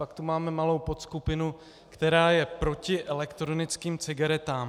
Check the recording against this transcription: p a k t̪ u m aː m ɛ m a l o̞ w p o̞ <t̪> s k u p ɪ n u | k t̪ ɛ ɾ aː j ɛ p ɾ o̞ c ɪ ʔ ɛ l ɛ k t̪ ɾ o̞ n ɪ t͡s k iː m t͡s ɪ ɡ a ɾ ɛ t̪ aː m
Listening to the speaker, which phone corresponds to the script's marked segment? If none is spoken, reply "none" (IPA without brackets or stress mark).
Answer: t̪